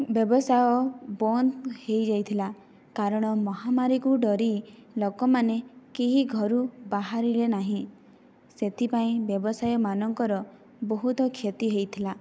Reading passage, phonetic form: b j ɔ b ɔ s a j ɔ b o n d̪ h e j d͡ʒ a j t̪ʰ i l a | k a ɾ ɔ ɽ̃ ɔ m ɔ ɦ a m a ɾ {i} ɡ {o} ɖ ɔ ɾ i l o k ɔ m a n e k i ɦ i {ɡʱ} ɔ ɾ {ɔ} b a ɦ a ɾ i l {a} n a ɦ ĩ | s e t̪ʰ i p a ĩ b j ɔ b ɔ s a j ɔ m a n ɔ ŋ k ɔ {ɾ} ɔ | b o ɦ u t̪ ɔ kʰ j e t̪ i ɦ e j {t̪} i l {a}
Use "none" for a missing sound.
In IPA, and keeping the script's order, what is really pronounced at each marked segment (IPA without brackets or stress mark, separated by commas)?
i, u, ɡʱ, u, e, ɾ, t̪ʰ, a